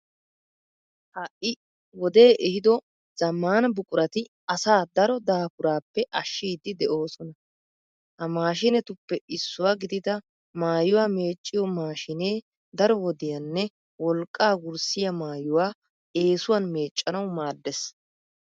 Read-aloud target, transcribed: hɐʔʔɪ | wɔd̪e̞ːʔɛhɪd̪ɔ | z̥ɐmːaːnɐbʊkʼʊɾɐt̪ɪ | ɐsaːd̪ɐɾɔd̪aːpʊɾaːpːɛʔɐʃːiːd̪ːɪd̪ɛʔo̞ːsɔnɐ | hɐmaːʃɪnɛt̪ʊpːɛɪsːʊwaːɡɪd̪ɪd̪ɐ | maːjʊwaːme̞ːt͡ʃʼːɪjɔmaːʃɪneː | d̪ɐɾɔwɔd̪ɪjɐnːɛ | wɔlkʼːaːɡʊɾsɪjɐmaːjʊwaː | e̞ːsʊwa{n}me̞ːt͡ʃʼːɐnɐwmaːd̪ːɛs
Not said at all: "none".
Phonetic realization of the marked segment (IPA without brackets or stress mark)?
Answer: n